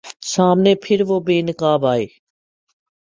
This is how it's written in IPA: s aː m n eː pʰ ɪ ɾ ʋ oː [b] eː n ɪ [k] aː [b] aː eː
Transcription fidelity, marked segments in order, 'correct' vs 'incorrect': correct, correct, correct

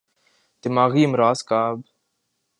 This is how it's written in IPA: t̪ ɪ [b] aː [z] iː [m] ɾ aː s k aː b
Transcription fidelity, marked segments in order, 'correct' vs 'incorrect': incorrect, incorrect, correct

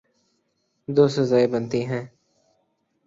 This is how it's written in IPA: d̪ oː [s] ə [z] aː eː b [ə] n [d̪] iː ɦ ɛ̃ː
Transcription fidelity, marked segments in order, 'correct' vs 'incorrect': correct, correct, correct, incorrect

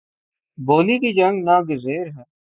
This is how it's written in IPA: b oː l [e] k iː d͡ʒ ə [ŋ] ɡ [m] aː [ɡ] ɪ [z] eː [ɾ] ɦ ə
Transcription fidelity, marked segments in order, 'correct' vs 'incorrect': incorrect, correct, incorrect, correct, correct, correct

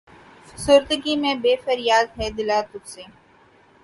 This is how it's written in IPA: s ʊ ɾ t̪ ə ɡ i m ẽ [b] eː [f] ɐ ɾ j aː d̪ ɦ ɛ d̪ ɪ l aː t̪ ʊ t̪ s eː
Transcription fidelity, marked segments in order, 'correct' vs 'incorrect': correct, correct

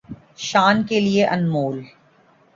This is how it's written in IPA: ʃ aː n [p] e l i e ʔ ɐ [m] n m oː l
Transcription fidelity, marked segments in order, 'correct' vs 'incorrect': incorrect, incorrect

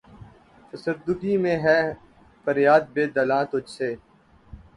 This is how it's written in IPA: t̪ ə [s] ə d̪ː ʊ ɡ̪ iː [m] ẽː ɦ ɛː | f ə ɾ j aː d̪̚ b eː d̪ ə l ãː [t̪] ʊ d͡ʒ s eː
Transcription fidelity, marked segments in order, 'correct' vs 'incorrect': correct, correct, correct

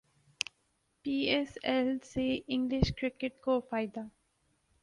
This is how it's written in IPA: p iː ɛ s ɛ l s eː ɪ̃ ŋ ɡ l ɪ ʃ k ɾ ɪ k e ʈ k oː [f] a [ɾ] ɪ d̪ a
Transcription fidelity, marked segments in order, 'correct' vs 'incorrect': correct, incorrect

